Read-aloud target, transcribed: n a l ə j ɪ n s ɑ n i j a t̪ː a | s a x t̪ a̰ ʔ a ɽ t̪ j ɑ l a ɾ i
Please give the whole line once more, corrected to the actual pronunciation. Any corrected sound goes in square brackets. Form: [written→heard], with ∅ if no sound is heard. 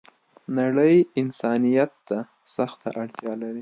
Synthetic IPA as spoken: n a [l→ɽ] ə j ɪ n s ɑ n i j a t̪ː a | s a x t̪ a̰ ʔ a ɽ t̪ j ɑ l a ɾ i